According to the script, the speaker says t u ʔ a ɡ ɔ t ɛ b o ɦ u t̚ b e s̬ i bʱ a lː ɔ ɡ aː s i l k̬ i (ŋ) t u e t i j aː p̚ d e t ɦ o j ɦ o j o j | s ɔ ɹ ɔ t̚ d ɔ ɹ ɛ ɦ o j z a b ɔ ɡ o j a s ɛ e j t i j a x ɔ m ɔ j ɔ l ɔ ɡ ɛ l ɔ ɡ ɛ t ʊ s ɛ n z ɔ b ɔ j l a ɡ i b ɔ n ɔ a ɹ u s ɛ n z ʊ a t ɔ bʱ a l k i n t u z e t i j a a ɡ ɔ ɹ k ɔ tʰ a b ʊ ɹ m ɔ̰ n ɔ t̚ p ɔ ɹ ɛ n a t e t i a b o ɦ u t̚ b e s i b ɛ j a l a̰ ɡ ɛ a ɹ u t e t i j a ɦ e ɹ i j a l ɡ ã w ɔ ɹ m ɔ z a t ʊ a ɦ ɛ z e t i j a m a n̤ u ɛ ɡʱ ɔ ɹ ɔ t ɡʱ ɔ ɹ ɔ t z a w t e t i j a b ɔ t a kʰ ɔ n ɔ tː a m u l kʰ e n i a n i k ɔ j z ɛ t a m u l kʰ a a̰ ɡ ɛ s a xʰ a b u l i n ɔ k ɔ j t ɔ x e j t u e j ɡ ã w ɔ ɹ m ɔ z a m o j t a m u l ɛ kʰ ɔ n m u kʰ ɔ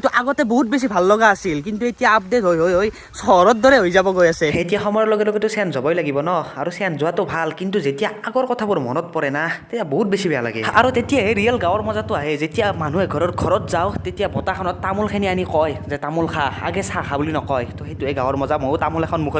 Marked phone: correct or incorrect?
incorrect